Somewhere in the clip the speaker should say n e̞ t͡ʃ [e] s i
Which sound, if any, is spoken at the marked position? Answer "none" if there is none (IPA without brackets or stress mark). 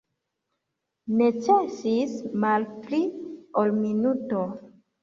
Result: e